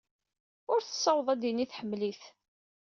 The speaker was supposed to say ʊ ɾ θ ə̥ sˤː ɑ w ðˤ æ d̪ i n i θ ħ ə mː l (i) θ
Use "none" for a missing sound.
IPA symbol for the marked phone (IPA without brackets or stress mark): i